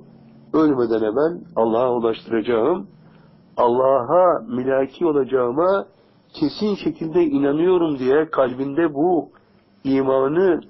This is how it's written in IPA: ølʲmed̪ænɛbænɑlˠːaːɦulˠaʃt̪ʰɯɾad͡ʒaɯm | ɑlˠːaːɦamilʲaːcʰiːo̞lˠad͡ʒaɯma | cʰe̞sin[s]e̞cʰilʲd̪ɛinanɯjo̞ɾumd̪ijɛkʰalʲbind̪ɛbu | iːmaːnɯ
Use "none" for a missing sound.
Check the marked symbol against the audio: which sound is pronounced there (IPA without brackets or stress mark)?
ʃ